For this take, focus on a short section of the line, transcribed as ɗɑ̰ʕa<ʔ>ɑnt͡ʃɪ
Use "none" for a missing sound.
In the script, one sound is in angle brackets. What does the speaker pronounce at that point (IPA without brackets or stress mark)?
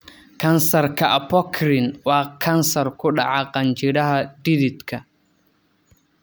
q